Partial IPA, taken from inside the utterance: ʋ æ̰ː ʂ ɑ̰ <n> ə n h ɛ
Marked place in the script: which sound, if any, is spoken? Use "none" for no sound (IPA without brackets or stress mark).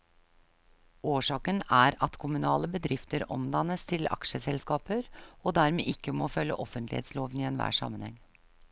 m